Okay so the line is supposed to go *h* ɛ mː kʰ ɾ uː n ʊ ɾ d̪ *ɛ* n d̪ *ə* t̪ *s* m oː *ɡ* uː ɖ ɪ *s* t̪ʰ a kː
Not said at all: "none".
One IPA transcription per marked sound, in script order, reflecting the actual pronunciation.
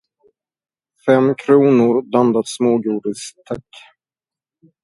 f, a, a, s, ɡ, s

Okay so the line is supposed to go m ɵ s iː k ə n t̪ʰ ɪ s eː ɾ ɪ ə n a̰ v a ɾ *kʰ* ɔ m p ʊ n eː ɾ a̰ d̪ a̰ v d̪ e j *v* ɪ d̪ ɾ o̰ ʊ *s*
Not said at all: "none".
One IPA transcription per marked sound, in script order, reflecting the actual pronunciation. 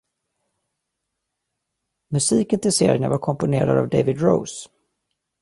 kʰ, v, s

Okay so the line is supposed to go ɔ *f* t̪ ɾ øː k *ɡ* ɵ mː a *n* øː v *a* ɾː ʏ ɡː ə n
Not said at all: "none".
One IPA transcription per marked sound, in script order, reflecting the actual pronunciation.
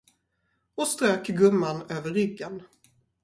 s, ɡ, n, ə

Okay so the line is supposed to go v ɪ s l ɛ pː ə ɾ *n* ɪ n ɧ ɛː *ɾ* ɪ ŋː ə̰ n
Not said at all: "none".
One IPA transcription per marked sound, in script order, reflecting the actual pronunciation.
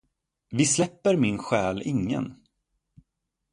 m, l

